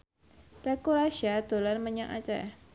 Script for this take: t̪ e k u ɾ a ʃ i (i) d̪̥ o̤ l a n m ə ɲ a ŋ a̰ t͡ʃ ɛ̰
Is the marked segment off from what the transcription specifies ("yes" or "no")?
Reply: yes